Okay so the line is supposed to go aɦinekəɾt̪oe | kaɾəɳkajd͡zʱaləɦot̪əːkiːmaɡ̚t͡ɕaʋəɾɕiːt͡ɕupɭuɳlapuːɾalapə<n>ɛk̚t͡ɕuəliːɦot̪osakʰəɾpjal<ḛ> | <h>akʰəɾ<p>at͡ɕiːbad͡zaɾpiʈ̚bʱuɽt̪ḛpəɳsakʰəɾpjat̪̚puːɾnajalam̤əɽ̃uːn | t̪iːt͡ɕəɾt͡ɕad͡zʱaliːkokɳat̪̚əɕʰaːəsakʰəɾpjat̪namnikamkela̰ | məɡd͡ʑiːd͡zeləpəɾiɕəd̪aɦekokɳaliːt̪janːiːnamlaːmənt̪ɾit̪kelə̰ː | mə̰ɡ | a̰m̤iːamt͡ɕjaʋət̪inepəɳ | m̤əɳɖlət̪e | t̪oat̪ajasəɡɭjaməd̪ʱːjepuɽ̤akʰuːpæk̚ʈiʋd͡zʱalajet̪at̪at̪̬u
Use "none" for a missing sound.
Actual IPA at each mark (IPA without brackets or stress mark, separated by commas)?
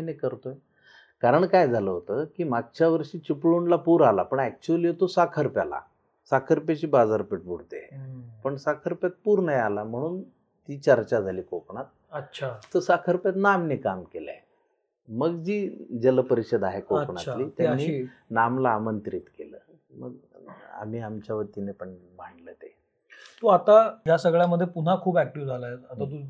ɳ, a̰, s, p